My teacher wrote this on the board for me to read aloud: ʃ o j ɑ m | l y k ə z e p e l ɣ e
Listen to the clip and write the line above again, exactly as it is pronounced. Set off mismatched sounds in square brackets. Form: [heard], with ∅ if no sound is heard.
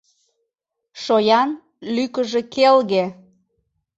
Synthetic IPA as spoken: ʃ o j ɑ [n] | l y k ə [ʒ] e [k] e l ɣ e